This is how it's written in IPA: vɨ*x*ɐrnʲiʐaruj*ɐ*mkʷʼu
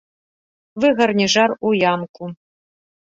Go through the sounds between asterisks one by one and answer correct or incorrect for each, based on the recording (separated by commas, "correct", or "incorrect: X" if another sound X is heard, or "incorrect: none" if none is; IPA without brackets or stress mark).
incorrect: ɣ, incorrect: a